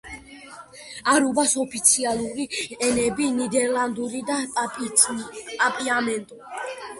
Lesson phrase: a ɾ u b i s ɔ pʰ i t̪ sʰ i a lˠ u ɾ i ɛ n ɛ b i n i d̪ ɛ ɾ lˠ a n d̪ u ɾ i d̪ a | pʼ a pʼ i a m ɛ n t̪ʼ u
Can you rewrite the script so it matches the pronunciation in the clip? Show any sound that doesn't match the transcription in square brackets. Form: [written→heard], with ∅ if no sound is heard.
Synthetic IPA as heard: a ɾ u b [i→a] s ɔ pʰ i t̪ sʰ i a lˠ u ɾ i ɛ n ɛ b i n i d̪ ɛ ɾ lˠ a n d̪ u ɾ i d̪ a | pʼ a pʼ i a m ɛ n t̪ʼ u